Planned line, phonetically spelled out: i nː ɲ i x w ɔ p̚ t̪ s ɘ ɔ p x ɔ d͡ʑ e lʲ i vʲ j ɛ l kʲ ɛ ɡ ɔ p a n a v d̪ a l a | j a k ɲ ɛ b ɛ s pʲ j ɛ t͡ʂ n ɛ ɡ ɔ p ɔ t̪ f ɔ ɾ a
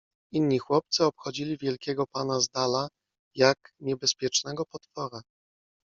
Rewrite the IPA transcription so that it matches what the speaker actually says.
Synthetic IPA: i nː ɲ i x w ɔ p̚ t̪ s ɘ ɔ p x ɔ d͡ʑ i lʲ i vʲ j ɛ l kʲ ɛ ɡ ɔ p a n a z d̪ a l a | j a k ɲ ɛ b ɛ s pʲ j ɛ t͡ʂ n ɛ ɡ ɔ p ɔ t̪ f ɔ ɾ a

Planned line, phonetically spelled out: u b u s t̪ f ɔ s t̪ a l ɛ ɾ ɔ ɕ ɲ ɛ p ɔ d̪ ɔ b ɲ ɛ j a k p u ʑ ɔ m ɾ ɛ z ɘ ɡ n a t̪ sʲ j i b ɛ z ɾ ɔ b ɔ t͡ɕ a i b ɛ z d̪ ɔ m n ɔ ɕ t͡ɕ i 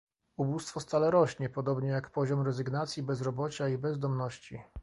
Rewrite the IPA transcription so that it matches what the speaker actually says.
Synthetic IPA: u b u s t̪ f ɔ s t̪ a l ɛ ɾ ɔ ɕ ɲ ɛ p ɔ d̪ ɔ b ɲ ɛ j a k p ɔ ʑ ɔ m ɾ ɛ z ɘ ɡ n a t̪ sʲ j i b ɛ z ɾ ɔ b ɔ t͡ɕ a i b ɛ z d̪ ɔ m n ɔ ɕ t͡ɕ i

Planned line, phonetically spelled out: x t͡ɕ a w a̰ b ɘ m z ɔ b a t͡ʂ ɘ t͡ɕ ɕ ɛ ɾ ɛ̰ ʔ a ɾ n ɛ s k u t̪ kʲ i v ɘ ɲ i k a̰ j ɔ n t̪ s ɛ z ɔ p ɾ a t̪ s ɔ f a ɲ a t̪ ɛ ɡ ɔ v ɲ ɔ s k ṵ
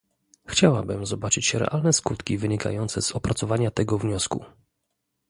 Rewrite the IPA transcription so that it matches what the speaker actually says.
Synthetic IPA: x t͡ɕ a w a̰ b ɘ m z ɔ b a t͡ʂ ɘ t͡ɕ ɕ ɛ ɾ ɛ̰ ʔ a l n ɛ s k u t̪ kʲ i v ɘ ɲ i k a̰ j ɔ n t̪ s ɛ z ɔ p ɾ a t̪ s ɔ v a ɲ a t̪ ɛ ɡ ɔ v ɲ ɔ s k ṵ

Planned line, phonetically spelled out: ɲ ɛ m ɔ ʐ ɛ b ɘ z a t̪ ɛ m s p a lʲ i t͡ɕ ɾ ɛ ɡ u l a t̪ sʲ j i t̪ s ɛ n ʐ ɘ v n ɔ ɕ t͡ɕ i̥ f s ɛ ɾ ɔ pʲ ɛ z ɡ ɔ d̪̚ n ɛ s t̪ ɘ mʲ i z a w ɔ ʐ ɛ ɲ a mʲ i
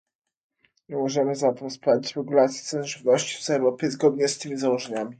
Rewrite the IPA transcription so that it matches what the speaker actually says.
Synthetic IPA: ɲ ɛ m ɔ ʐ ɛ m ɘ z a t̪ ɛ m s p a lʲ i t͡ɕ ɾ ɛ ɡ u l a t̪ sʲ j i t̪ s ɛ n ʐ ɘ v n ɔ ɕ t͡ɕ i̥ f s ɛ ɾ ɔ pʲ ɛ z ɡ ɔ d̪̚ ɲ ɛ s t̪ ɘ mʲ i z a w ɔ ʐ ɛ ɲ a mʲ i

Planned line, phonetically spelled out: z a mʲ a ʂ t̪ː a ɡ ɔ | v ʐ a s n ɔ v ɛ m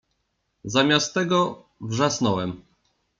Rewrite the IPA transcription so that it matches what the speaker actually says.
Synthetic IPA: z a mʲ a s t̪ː ɛ ɡ ɔ | v ʐ a s n ɔ w ɛ m

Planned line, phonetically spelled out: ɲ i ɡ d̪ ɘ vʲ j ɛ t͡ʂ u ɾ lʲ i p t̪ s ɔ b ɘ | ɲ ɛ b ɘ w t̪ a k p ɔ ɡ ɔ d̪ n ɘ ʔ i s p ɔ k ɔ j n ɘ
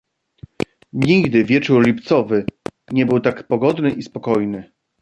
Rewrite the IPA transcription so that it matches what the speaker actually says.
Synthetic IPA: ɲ i ɡ d̪ ɘ vʲ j ɛ t͡ʂ u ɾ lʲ i p t̪ s ɔ v ɘ | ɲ ɛ b ɘ w t̪ a k p ɔ ɡ ɔ d̪ n ɘ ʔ i s p ɔ k ɔ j n ɘ

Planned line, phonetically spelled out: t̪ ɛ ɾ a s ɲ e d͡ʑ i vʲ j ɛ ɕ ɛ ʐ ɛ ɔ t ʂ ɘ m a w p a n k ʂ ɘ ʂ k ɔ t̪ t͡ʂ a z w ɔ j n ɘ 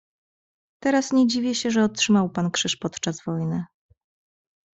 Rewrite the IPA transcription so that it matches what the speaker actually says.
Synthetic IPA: t̪ ɛ ɾ a s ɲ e d͡ʑ i vʲ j ɛ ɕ ɛ ʐ ɛ ɔ t ʂ ɘ m a w p a n k ʂ ɘ ʂ p ɔ t̪ t͡ʂ a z v ɔ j n ɘ

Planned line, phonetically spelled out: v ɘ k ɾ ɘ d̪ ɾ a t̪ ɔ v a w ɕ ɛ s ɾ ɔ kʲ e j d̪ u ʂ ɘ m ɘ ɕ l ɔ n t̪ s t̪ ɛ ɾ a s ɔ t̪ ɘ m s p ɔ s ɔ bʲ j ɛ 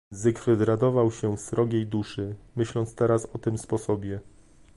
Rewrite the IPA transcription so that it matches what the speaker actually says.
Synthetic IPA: z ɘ k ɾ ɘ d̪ ɾ a d̪ ɔ v a w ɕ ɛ s ɾ ɔ ɡʲ e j d̪ u ʂ ɘ m ɘ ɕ l ɔ n t̪ s t̪ ɛ ɾ a s ɔ t̪ ɘ m s p ɔ s ɔ bʲ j ɛ

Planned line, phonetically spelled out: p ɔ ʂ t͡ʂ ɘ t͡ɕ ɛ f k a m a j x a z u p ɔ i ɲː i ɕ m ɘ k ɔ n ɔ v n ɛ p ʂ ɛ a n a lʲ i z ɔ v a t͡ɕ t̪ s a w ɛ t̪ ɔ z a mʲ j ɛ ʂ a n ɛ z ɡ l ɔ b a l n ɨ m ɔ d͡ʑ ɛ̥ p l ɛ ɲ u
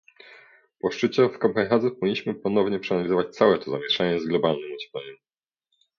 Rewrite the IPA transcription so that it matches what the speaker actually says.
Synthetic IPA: p ɔ ʂ t͡ʂ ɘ t͡ɕ ɛ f k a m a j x a z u p ɔ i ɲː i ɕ m ɘ p ɔ n ɔ v ɲ ɛ p ʂ ɛ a n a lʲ i z ɔ v a t͡ɕ t̪ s a w ɛ t̪ ɔ z a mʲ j ɛ ʂ a ɲ ɛ z ɡ l ɔ b a l n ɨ m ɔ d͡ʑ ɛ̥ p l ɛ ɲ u

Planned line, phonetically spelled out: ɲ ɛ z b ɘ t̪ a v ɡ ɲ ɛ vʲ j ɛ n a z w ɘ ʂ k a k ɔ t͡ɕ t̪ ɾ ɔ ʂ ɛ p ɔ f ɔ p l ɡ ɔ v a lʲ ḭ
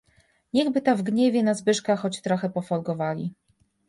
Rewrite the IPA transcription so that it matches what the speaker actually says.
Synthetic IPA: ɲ ɛ ɣ b ɘ t̪ a v ɡ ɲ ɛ vʲ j ɛ n a z b ɘ ʂ k a x ɔ t͡ɕ t̪ ɾ ɔ x ɛ p ɔ f ɔ l ɡ ɔ v a lʲ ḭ

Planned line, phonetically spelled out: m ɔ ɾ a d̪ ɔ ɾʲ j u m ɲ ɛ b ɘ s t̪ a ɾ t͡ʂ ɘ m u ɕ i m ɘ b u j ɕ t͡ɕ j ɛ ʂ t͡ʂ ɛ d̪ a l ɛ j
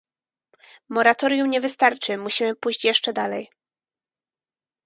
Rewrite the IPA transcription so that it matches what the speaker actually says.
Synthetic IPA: m ɔ ɾ a t̪ ɔ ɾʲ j u m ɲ ɛ v ɘ s t̪ a ɾ t͡ʂ ɘ m u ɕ i m ɘ p u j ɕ t͡ɕ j ɛ ʂ t͡ʂ ɛ d̪ a l ɛ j

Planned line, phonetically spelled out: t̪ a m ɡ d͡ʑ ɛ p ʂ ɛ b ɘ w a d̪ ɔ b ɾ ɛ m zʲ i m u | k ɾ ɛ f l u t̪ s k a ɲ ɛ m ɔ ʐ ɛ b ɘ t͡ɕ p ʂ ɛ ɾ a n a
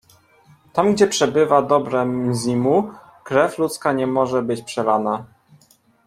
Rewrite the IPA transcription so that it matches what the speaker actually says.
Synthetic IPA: t̪ a m ɡ d͡ʑ ɛ p ʂ ɛ b ɘ v a d̪ ɔ b ɾ ɛ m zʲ i m u | k ɾ ɛ f l u t̪ s k a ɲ ɛ m ɔ ʐ ɛ b ɘ t͡ɕ p ʂ ɛ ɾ a n a

